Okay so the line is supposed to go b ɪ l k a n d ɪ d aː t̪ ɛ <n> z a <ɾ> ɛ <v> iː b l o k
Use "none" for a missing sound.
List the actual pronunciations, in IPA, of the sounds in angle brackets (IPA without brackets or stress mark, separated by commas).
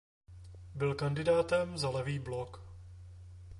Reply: m, l, v